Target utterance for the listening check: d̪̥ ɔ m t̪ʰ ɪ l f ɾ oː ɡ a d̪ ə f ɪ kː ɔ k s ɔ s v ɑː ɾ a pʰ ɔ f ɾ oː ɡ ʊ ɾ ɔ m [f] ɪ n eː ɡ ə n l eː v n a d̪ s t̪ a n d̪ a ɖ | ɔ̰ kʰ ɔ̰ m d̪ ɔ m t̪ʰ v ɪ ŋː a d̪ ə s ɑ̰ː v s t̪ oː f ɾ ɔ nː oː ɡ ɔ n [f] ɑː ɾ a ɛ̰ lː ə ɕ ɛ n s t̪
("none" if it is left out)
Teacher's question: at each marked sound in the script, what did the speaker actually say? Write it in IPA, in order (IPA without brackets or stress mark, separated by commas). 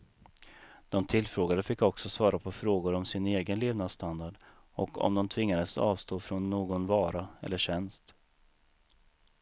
s, v